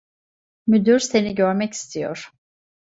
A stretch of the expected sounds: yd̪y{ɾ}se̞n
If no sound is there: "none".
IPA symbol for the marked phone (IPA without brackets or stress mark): ɾ